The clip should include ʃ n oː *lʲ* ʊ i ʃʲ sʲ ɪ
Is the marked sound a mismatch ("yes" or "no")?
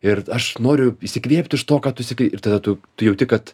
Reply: yes